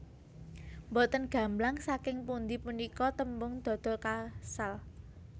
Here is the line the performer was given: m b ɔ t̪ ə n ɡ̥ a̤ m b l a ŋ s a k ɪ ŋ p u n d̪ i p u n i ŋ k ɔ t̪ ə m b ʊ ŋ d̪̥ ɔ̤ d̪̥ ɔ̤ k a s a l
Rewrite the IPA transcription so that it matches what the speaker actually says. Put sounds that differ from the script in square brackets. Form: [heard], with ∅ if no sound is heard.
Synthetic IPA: m b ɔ t̪ ə n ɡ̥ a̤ m b l a ŋ s a k ɪ ŋ p u n d̪ i p u n i [∅] k ɔ t̪ ə m b ʊ ŋ d̪̥ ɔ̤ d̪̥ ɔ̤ k a s a l